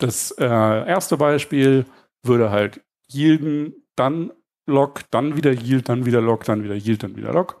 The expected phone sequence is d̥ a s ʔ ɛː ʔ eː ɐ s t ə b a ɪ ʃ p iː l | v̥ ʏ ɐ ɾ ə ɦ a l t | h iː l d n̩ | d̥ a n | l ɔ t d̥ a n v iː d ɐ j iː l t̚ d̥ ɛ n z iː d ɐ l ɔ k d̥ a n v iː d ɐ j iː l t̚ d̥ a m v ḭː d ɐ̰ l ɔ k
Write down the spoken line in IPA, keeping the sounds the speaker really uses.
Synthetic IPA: d̥ a s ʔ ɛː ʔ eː ɐ s t ə b a ɪ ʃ p iː l | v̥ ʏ ɐ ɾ ə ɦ a l t | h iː l d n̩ | d̥ a n | l ɔ k d̥ a n v iː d ɐ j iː l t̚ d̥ a n v iː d ɐ l ɔ k d̥ a n v iː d ɐ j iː l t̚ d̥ a n v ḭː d ɐ̰ l ɔ k